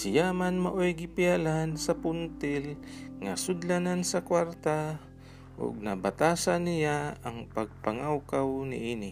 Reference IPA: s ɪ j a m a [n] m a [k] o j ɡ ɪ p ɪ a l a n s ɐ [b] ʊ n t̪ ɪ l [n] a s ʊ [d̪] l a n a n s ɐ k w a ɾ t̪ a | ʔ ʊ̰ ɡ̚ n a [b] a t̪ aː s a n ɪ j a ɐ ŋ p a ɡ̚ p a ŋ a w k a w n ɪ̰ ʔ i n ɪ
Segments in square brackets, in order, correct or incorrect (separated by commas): correct, incorrect, incorrect, incorrect, correct, correct